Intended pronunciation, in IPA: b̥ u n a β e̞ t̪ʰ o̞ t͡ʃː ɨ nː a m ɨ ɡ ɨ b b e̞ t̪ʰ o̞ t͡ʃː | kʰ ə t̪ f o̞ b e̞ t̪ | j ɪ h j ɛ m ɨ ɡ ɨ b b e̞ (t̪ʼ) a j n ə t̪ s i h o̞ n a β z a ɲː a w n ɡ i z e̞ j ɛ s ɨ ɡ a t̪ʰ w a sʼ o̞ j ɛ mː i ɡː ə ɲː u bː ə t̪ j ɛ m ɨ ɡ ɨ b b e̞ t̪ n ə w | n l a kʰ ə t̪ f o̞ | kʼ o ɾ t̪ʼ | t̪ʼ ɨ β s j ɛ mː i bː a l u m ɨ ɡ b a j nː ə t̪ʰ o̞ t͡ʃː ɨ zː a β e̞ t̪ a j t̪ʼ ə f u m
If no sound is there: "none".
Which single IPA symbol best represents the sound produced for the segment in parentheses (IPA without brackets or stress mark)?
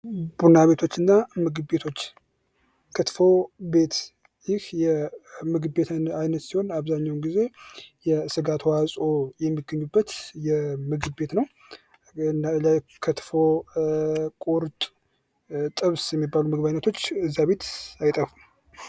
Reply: t̪